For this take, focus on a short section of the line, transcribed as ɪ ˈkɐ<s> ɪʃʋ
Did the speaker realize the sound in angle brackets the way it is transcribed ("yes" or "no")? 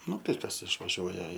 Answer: yes